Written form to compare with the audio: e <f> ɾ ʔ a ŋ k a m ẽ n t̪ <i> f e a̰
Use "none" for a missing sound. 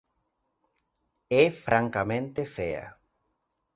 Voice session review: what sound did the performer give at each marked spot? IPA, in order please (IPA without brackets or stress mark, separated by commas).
f, e